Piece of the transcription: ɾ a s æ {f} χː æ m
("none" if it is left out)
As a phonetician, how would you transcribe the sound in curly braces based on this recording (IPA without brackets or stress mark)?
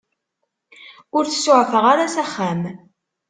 none